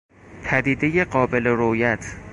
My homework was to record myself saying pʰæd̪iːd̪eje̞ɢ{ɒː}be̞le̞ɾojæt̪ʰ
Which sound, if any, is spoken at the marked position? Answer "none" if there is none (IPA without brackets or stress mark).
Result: ɒː